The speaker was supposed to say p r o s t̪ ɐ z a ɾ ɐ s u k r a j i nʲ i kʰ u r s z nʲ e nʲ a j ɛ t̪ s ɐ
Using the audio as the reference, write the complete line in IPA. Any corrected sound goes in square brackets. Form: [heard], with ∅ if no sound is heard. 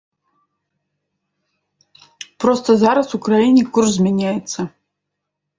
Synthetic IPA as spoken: p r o s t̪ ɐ z a ɾ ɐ s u k r a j i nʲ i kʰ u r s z [mʲ] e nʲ a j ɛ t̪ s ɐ